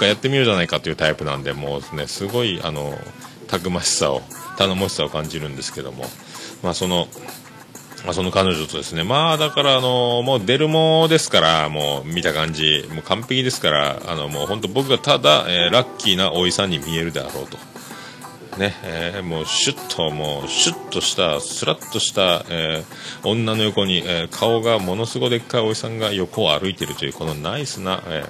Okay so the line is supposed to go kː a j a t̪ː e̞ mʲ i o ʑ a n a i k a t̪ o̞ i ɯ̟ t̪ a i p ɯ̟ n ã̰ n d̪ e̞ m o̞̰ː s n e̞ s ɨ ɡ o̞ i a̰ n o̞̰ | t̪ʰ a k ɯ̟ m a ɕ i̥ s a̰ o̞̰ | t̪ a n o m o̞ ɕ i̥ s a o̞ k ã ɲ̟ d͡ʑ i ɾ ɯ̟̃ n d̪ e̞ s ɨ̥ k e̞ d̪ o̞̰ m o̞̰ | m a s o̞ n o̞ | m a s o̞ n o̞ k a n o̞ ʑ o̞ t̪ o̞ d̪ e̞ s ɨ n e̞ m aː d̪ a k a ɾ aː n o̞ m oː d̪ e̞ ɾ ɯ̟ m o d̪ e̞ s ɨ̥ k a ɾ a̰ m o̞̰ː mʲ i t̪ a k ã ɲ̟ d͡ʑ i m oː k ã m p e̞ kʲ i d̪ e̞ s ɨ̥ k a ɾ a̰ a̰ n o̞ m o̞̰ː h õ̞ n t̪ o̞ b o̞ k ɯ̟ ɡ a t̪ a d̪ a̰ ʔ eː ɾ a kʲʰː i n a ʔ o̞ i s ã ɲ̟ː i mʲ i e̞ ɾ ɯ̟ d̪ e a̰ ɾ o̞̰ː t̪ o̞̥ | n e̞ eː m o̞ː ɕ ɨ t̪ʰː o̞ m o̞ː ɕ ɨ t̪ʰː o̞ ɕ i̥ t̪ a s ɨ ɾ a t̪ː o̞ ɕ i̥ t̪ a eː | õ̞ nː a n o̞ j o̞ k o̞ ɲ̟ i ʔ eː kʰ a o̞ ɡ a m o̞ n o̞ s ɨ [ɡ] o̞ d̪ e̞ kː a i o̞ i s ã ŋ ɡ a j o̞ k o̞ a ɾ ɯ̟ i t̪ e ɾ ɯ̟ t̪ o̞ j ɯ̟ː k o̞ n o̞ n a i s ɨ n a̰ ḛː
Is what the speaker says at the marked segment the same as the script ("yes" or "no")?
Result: yes